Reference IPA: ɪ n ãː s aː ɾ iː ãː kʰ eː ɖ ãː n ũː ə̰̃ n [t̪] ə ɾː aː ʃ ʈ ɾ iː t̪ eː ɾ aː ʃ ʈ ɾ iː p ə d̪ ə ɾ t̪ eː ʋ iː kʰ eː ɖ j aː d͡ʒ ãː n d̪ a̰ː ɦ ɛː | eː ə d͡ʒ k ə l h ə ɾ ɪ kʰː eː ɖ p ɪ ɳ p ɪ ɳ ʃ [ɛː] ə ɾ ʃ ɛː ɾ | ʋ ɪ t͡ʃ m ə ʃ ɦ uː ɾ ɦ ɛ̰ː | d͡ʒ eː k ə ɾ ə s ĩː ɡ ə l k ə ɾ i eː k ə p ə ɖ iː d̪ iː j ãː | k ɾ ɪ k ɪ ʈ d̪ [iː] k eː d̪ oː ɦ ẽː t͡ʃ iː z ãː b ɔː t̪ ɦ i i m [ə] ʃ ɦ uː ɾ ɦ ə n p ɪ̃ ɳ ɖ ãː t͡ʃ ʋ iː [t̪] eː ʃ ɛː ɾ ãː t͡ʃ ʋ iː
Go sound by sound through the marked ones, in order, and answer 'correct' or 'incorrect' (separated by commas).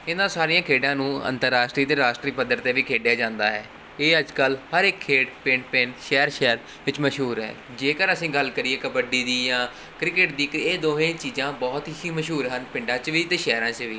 correct, correct, correct, correct, correct